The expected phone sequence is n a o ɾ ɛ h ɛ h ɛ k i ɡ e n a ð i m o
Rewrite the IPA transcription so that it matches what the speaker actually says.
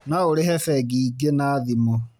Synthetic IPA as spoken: n a o ɾ e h ɛ f ɛ ɡ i ɡ e n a ð i m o